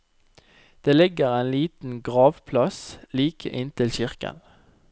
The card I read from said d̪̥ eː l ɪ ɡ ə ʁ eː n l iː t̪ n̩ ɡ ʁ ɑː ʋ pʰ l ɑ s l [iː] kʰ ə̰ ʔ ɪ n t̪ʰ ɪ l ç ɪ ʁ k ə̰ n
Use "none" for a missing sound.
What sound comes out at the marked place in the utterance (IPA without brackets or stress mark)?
iː